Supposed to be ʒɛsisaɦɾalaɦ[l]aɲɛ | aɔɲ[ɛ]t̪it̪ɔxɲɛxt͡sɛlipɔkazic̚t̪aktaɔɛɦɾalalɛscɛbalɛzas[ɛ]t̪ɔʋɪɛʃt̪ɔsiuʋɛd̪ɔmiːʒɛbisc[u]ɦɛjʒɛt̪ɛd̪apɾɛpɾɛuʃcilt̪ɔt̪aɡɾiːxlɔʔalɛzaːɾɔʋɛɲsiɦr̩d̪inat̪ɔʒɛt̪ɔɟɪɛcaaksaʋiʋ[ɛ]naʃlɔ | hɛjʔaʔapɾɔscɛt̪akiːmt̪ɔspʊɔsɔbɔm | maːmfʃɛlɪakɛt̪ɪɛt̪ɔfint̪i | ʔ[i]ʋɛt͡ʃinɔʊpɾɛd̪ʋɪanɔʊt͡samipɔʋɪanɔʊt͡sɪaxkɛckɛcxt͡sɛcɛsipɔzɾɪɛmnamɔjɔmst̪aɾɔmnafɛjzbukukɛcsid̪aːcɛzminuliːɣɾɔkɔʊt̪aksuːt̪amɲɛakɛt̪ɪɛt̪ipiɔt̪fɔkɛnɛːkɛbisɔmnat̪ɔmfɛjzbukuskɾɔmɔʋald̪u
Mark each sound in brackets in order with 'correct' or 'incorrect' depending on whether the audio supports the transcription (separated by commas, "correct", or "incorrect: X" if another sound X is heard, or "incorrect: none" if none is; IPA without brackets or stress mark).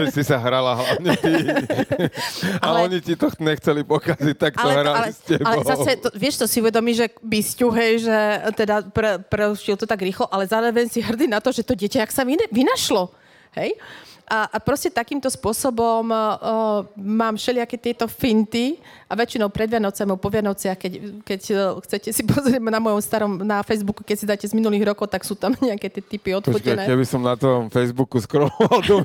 correct, incorrect: i, correct, correct, incorrect: i, incorrect: a